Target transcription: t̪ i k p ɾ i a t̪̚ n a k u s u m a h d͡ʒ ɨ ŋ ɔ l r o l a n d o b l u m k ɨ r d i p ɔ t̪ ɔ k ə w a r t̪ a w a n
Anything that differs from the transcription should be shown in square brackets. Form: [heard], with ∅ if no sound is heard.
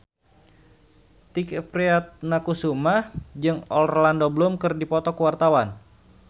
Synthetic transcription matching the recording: t̪ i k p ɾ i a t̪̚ n a k u s u m a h d͡ʒ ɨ ŋ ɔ l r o l a n d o b l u m k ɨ r d i p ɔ t̪ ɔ k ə w a r t̪ a w a n